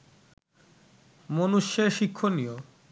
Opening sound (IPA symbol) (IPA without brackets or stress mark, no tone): m